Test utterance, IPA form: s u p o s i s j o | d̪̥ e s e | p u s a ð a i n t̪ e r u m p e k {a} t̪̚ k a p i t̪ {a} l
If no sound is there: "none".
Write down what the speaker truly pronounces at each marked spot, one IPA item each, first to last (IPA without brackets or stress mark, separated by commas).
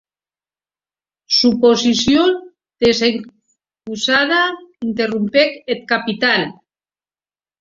e, a